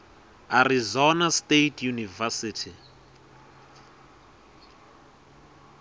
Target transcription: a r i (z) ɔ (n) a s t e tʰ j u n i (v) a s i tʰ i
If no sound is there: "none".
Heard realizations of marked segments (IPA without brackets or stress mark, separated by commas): z, n, v